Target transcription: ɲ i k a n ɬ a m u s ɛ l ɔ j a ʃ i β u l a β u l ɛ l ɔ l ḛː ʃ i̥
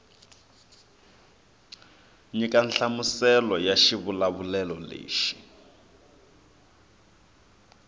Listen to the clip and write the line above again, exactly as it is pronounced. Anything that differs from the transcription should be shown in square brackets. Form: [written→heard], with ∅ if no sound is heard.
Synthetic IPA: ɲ i k a n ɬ a m u s ɛ l ɔ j a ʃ i β u l a β u l ɛ l ɔ l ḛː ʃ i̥